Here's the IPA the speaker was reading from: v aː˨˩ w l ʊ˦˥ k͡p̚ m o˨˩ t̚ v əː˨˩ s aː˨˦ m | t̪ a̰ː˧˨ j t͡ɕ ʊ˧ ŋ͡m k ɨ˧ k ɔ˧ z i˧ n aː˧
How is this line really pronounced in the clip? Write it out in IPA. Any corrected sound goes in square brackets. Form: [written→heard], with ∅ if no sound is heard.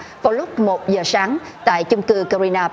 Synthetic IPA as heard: v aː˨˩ w l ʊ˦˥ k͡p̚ m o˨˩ t̚ [v→z] əː˨˩ s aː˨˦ [m→ŋ] | t̪ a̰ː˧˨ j t͡ɕ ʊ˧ ŋ͡m k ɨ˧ k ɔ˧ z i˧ n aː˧